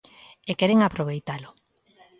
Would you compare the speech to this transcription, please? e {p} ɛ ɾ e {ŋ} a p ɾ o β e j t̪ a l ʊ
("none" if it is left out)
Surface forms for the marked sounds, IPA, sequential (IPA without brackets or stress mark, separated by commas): k, ŋ